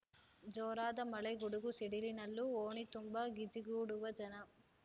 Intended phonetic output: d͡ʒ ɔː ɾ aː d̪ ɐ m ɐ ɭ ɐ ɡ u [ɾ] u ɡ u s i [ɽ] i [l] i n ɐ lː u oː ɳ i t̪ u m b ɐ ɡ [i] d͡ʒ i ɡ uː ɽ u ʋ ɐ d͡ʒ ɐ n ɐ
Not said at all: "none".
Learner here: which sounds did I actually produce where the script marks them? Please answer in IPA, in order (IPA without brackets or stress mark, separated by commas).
ɽ, ɽ, l, i